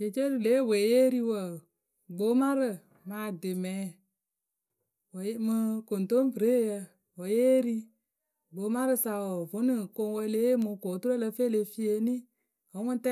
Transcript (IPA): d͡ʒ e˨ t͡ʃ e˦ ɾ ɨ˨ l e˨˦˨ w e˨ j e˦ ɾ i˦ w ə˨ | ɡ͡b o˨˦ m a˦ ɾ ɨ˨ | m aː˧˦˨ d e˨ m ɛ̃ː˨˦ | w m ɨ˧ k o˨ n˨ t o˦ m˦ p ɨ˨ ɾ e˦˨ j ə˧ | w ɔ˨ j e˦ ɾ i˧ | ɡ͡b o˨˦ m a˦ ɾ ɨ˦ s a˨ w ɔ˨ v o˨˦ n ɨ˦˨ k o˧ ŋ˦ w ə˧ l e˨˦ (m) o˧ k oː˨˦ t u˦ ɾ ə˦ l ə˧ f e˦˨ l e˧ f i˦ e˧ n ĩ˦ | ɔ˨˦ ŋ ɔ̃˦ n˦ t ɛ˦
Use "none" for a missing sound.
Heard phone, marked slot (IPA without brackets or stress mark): m